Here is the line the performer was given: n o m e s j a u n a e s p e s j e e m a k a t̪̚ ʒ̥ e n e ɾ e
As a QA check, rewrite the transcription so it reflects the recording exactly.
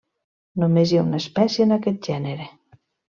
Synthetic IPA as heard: n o m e z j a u n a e s p ɛ s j e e n a k ɛ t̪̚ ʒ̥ ɛ n e ɾ e